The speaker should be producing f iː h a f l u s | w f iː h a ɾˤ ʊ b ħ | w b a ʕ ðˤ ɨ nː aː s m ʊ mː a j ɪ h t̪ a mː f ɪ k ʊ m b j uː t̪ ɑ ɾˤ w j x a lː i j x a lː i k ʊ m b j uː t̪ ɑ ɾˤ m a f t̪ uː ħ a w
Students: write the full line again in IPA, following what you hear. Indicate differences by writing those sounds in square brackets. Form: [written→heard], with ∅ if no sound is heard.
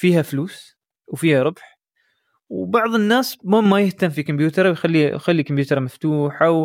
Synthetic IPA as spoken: f iː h a f l [u→uː] s | w f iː h a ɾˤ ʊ b ħ | w b [a→ɑ] ʕ ðˤ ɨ nː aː s m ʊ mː a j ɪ h t̪ a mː f [ɪ→i] k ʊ m b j uː t̪ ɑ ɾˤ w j x a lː i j x a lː i k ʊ m b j uː t̪ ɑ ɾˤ m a f t̪ uː ħ a w